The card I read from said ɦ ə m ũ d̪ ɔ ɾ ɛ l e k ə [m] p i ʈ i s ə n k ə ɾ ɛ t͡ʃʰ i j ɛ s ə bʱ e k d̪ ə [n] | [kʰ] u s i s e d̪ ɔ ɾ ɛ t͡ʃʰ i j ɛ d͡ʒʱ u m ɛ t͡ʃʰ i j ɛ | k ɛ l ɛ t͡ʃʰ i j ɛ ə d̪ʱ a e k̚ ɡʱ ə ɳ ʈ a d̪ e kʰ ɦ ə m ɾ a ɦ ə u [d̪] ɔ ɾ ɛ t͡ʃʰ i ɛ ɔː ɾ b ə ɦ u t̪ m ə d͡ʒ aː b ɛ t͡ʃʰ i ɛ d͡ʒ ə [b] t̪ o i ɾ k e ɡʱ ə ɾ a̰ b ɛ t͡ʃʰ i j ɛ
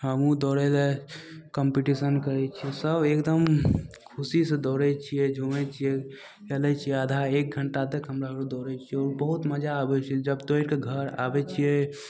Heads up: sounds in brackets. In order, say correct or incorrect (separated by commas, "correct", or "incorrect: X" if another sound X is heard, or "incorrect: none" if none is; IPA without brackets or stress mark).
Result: correct, incorrect: m, correct, correct, correct